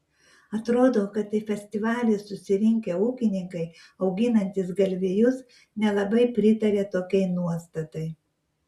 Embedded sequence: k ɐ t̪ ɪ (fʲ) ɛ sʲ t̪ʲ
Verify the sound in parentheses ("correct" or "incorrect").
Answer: correct